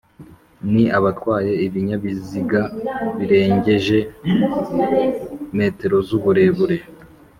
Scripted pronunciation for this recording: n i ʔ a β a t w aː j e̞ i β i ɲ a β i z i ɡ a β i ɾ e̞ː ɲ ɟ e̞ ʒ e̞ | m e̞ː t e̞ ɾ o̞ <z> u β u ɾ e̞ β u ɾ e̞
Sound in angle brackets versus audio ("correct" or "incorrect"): correct